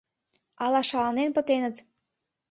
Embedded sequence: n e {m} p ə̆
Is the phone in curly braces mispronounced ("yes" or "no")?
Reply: yes